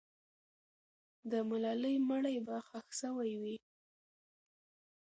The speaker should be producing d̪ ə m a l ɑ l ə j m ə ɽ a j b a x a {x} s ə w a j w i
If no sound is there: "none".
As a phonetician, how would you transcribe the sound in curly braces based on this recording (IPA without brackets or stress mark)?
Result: x